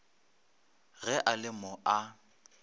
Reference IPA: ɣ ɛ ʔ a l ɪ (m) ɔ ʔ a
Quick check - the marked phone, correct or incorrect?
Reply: correct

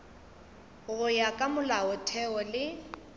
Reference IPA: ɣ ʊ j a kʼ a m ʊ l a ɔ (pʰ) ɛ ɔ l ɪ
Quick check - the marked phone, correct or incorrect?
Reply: incorrect: tʰ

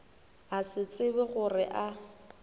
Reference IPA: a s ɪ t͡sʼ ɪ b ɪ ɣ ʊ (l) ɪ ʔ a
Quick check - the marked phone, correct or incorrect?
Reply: incorrect: r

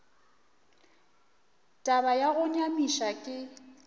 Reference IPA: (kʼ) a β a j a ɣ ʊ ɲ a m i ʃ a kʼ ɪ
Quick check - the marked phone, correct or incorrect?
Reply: incorrect: tʼ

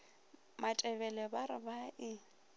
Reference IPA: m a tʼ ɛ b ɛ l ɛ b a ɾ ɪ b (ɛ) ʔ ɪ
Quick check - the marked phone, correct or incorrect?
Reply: incorrect: a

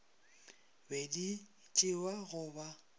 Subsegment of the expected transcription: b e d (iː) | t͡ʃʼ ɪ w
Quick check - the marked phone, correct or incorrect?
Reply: incorrect: i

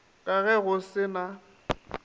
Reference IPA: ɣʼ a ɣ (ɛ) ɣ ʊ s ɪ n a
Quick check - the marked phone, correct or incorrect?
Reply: correct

